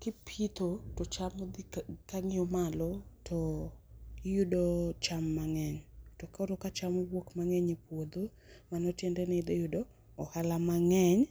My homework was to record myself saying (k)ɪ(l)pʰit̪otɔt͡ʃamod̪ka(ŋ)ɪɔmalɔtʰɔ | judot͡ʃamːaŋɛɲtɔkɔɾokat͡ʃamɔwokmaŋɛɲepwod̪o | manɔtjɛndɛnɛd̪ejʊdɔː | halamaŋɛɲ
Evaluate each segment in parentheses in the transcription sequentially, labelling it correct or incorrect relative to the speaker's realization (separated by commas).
correct, incorrect, correct